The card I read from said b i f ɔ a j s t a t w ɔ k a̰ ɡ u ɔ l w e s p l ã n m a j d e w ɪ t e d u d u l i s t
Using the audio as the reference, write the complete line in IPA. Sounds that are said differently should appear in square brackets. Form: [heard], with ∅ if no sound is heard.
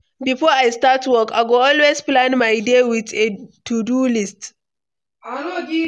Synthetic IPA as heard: b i f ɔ a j s t a t w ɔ k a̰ ɡ [o] ɔ l w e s p l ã n m a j d e w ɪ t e [t] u d u l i s t